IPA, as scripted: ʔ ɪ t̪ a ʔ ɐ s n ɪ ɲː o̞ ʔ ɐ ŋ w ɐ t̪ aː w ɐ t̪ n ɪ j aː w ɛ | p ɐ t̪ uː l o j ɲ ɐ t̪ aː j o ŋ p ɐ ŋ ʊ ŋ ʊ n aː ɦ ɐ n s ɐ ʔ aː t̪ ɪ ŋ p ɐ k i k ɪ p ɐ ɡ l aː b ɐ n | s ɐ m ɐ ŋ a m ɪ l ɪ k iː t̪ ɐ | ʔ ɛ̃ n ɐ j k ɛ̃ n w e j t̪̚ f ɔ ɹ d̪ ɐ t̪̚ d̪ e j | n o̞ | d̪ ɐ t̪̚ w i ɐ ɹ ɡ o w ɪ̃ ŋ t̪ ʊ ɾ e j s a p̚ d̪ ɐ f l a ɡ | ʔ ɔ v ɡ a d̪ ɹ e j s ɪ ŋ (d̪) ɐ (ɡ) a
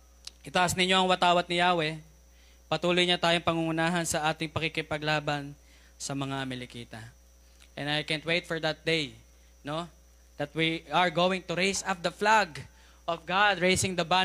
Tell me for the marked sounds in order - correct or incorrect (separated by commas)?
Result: correct, incorrect